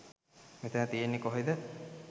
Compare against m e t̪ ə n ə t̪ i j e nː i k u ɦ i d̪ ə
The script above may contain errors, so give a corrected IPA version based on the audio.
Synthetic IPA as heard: m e t̪ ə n ə t̪ i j e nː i k o ɦ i d̪ ə